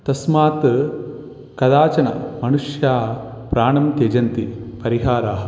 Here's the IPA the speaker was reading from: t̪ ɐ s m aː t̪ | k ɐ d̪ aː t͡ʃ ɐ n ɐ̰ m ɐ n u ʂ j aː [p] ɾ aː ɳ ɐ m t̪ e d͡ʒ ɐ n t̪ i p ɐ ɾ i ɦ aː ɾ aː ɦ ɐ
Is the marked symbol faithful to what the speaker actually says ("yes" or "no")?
yes